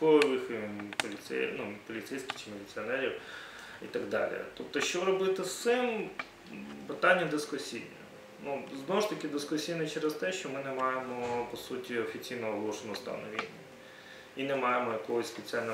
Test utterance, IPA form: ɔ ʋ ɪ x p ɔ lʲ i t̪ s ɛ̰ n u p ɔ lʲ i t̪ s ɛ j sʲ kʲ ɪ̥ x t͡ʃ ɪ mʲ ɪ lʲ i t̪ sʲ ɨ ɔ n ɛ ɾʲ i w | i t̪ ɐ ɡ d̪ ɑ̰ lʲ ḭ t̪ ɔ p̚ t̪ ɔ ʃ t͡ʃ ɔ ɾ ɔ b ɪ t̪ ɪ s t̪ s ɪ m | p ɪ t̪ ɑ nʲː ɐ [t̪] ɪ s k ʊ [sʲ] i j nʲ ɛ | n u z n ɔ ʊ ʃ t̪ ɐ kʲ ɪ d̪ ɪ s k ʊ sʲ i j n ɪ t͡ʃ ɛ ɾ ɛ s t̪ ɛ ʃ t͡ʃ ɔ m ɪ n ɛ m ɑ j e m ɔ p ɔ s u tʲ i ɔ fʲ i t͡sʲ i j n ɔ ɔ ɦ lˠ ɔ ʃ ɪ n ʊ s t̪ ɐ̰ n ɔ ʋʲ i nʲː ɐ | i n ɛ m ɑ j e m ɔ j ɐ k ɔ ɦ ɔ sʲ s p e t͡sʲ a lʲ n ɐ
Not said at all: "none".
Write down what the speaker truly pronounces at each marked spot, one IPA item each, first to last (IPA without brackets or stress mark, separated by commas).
d̪, sʲ